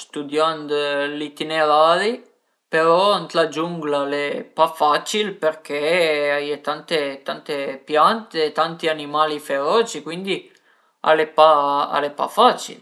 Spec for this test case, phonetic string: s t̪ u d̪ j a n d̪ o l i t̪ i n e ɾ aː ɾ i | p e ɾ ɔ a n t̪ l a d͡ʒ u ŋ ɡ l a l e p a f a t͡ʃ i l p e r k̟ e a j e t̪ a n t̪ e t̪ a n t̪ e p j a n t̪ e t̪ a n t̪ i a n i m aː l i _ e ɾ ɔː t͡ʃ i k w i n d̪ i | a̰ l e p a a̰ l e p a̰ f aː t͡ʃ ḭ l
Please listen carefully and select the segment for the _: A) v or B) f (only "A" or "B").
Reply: B